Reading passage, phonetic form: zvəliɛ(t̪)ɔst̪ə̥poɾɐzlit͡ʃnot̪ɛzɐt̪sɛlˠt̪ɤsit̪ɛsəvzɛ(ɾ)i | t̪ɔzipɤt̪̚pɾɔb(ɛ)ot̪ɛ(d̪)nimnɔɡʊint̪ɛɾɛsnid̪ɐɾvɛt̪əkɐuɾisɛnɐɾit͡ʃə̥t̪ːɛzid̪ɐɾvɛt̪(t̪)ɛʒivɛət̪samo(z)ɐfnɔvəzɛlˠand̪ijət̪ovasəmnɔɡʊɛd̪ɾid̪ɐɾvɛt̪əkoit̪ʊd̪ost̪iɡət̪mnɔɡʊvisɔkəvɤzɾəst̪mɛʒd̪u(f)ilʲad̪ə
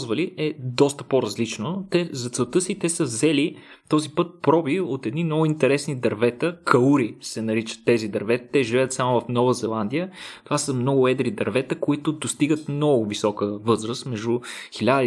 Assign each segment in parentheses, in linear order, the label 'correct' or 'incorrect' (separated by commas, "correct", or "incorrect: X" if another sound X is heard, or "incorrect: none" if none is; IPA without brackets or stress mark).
incorrect: d̪, incorrect: l, incorrect: i, correct, correct, incorrect: v, incorrect: x